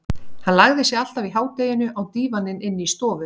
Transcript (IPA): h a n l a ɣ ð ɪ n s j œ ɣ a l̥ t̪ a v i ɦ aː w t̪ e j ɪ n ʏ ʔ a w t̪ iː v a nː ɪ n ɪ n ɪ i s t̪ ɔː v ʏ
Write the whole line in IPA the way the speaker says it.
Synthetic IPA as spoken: h a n l a ɣ ð ɪ s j ɛ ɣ a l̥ t̪ a v i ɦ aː w t̪ e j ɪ n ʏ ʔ a w t̪ iː v a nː ɪ n ɪ nː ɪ i s t̪ ɔː v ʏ